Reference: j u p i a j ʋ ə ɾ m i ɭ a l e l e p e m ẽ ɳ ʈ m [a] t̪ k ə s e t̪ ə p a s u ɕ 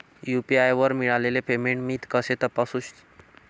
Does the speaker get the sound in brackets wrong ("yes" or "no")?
yes